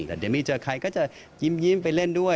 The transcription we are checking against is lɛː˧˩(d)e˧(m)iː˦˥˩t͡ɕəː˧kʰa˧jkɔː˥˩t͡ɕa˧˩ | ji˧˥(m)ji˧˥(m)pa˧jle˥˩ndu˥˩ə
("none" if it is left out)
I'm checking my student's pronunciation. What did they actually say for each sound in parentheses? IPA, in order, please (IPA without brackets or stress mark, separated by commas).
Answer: d, m, m, m